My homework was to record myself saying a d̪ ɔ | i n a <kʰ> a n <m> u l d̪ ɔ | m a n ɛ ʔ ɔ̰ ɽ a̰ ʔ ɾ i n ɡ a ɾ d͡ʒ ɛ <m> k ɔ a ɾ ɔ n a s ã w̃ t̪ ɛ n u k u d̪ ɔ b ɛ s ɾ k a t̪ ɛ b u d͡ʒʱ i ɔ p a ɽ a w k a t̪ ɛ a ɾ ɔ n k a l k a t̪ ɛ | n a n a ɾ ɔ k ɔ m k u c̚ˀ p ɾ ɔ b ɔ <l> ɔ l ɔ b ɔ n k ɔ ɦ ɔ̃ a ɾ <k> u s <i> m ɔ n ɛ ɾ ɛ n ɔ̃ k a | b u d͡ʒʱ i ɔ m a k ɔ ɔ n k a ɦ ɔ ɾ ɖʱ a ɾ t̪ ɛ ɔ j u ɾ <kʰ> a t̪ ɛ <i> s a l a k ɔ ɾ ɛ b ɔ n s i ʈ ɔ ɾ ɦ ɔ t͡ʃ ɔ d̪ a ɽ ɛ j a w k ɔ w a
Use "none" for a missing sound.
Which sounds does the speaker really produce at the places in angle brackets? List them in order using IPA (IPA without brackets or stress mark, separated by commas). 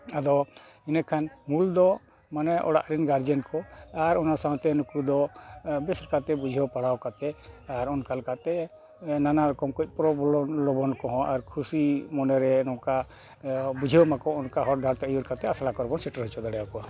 kʰ, m, n, l, kʰ, i, k, a